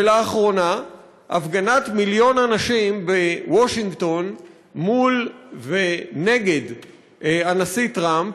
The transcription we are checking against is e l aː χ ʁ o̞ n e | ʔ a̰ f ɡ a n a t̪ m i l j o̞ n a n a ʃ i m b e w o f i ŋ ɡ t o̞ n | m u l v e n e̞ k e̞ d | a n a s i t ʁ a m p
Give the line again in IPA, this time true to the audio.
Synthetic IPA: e l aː χ ʁ o̞ n a | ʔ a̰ f ɡ a n a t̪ m i l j o̞ n a n a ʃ i m b e w o ʃ i ŋ ɡ t o̞ n | m u l v e n e̞ ɡ e̞ d | a n a s i t ʁ a m p